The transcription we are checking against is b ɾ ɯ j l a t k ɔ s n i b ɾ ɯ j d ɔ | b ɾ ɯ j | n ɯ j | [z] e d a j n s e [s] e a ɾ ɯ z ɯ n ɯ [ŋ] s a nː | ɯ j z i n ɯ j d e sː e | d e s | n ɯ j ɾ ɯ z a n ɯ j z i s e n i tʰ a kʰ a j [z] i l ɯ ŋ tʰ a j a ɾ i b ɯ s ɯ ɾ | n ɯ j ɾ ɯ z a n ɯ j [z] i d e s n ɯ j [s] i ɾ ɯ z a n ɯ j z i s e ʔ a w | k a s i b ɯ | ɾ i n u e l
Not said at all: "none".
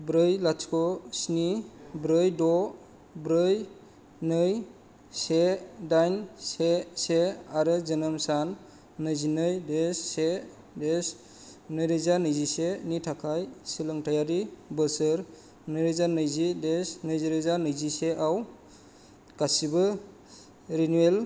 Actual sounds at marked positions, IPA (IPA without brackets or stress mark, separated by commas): s, s, m, s, z, z